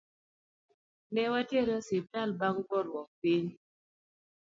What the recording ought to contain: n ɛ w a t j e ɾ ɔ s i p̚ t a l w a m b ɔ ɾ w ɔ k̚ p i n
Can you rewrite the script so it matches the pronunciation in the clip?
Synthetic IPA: n ɛ w a t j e ɾ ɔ s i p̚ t a l b a ŋ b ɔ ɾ w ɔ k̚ p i ɲ